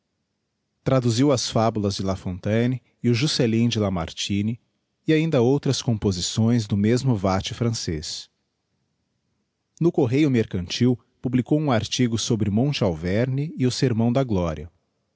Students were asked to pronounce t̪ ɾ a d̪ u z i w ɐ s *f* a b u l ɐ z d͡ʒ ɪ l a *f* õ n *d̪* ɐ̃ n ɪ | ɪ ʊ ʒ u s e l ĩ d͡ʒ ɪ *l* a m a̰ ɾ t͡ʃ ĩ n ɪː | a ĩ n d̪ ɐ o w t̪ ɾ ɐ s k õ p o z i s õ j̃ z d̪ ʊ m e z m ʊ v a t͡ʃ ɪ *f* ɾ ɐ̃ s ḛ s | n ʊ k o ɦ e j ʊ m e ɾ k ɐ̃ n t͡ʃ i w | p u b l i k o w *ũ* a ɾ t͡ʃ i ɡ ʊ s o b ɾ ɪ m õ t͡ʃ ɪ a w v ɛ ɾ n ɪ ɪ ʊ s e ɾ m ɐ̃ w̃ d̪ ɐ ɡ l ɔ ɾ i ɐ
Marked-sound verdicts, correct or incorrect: correct, correct, incorrect: t̪, correct, correct, correct

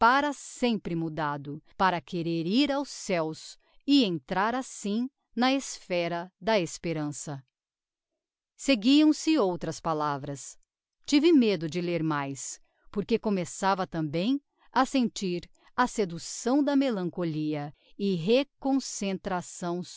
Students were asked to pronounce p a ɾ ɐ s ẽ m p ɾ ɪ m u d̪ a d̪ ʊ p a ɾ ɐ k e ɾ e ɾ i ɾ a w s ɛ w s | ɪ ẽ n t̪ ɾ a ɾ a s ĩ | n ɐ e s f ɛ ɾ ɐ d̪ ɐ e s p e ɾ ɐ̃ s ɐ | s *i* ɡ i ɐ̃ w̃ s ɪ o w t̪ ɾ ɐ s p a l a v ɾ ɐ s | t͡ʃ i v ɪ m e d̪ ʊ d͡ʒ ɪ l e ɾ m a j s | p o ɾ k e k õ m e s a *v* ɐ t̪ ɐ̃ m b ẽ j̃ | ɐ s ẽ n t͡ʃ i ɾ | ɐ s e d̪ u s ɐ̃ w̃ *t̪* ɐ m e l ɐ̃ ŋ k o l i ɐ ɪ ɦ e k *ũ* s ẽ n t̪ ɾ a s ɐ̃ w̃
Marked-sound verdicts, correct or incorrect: incorrect: e, correct, incorrect: d̪, incorrect: õ

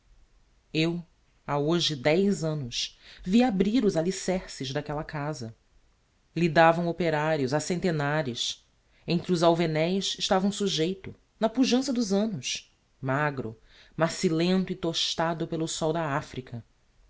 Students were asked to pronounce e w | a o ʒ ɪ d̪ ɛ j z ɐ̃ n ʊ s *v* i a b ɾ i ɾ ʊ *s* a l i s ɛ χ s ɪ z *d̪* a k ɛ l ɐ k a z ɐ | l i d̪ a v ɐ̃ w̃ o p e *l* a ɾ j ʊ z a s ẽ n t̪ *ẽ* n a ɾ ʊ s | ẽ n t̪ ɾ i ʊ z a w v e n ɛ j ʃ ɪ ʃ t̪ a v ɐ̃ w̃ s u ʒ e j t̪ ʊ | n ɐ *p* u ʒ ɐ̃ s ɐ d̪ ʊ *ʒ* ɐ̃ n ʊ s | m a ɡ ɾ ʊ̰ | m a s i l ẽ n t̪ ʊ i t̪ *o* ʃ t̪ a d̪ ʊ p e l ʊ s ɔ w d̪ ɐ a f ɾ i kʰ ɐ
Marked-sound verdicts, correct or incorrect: correct, incorrect: z, correct, incorrect: ɾ, incorrect: e, correct, incorrect: z, correct

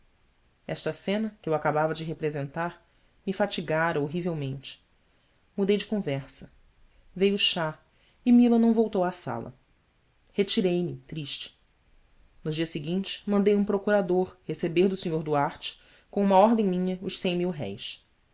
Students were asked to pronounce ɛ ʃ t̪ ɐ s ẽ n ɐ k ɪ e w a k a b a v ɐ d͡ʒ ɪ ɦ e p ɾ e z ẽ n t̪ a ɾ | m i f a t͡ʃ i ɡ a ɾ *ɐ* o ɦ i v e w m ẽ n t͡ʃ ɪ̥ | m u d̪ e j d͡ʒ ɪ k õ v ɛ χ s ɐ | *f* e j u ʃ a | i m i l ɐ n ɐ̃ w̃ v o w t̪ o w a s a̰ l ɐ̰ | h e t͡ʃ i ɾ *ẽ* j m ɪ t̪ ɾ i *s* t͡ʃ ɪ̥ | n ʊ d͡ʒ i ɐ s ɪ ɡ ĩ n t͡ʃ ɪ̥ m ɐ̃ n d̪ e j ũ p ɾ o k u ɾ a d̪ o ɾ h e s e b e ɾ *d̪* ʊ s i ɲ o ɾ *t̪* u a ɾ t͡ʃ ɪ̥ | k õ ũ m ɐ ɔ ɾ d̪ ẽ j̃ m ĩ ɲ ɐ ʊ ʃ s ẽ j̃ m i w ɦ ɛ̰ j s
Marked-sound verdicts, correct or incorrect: correct, incorrect: v, incorrect: e, incorrect: ʃ, correct, incorrect: d̪

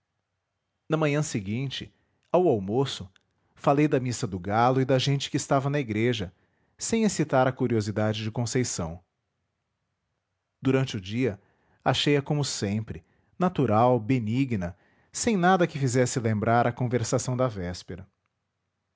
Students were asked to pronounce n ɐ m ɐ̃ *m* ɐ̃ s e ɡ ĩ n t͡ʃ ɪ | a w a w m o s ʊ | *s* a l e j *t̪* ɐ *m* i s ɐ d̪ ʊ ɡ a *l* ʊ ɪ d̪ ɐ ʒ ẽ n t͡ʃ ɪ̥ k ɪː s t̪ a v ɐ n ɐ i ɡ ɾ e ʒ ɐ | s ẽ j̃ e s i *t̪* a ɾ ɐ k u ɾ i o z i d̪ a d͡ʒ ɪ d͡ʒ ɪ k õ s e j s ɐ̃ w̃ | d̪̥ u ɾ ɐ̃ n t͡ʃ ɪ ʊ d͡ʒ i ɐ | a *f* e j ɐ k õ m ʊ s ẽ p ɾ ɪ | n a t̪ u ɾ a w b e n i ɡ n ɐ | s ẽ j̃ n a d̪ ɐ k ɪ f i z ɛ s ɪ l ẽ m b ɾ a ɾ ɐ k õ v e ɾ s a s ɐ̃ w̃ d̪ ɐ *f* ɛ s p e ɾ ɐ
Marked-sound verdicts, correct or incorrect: incorrect: ɲ, incorrect: f, incorrect: d̪, correct, correct, correct, incorrect: ʃ, incorrect: v

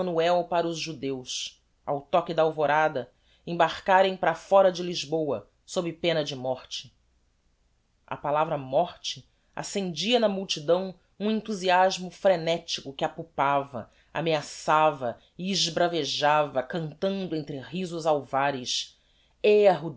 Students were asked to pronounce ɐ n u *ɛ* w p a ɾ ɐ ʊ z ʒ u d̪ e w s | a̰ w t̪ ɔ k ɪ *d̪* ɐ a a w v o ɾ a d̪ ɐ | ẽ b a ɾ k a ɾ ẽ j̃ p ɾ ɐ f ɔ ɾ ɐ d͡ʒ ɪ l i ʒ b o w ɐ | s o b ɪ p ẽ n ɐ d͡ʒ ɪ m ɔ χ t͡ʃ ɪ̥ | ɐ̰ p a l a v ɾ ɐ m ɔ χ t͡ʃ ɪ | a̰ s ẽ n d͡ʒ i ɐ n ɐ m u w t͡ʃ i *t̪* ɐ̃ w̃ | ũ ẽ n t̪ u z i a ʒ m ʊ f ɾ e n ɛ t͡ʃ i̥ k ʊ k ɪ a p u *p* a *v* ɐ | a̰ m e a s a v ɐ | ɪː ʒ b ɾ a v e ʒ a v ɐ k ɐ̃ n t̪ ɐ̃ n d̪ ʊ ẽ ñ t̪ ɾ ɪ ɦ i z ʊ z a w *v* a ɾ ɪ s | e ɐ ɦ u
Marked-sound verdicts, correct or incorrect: correct, correct, incorrect: d̪, correct, correct, correct

